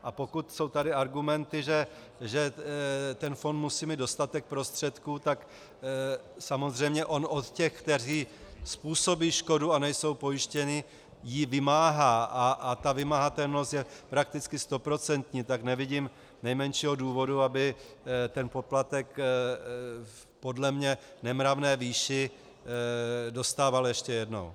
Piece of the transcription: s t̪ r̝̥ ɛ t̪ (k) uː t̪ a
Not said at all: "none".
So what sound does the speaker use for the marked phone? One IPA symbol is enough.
k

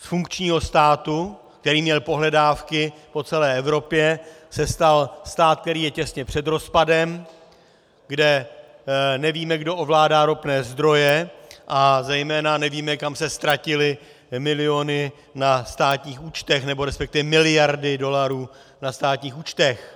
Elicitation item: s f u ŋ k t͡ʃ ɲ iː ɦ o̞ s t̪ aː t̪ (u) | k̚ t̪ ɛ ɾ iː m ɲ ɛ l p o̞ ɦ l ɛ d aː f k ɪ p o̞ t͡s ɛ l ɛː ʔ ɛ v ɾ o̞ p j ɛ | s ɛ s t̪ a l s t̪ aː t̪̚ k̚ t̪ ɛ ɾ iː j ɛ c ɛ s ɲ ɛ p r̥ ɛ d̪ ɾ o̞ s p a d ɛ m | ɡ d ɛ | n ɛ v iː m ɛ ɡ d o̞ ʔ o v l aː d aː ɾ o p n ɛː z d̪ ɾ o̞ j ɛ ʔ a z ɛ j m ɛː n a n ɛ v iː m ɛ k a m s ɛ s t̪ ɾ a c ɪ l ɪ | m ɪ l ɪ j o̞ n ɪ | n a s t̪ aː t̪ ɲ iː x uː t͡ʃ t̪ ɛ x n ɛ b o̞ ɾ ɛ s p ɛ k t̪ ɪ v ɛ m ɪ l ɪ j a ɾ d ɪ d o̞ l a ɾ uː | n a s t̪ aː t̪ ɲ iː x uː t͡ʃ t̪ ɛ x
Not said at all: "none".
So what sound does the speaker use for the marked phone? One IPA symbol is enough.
u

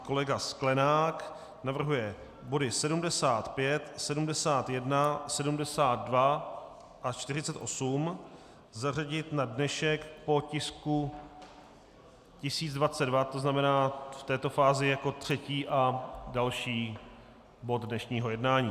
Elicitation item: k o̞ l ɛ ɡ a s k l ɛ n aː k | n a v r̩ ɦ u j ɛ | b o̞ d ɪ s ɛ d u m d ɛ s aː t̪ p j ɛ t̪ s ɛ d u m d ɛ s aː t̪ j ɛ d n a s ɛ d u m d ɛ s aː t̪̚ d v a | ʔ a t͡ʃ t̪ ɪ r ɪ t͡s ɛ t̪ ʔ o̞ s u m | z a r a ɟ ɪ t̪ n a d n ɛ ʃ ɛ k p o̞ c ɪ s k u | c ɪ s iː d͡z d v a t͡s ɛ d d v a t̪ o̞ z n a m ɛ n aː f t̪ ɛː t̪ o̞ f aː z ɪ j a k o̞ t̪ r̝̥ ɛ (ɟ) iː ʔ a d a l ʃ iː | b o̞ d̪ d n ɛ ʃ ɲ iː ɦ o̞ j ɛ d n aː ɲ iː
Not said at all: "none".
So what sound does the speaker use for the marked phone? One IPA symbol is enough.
c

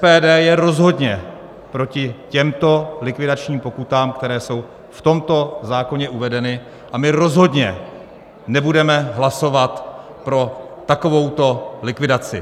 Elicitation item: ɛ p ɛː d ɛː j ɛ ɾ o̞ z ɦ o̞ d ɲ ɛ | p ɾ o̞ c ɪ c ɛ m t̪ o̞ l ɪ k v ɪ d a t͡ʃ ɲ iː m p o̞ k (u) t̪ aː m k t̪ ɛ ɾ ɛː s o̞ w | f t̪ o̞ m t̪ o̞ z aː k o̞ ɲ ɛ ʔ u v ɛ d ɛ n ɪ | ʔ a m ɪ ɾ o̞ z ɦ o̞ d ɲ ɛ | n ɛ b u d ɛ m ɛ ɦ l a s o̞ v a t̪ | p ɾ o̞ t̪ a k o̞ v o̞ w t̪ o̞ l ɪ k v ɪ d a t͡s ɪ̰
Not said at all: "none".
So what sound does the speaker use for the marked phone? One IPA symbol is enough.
u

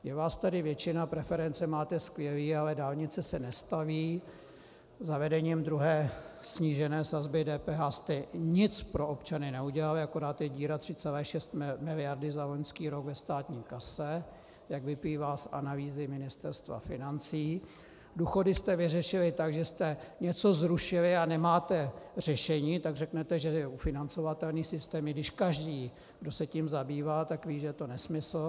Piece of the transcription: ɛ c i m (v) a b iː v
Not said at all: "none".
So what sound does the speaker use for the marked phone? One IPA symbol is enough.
z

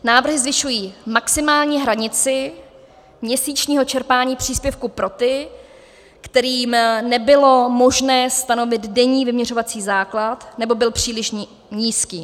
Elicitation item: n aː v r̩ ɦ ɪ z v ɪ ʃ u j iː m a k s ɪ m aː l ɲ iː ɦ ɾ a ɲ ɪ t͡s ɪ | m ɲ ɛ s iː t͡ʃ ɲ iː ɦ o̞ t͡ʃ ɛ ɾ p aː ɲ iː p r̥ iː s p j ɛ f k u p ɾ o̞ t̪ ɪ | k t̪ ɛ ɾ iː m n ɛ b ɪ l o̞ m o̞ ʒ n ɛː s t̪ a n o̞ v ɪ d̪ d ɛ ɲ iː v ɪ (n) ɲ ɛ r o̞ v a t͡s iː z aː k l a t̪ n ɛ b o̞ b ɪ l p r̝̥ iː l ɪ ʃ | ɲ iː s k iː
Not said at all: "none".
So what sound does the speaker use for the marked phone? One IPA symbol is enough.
m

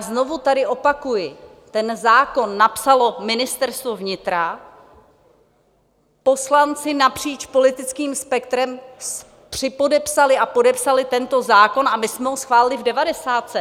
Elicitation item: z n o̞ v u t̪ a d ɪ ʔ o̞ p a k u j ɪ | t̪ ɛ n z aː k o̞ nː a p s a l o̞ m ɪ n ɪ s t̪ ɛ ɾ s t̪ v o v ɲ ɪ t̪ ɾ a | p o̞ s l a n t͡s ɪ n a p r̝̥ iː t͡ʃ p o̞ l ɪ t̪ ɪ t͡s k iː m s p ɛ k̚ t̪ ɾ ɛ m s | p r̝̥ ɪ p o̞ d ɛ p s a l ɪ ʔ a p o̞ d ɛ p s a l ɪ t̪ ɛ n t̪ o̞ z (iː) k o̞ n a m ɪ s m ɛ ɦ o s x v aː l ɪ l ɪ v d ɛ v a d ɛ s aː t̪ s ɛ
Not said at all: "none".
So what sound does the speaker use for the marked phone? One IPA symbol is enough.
aː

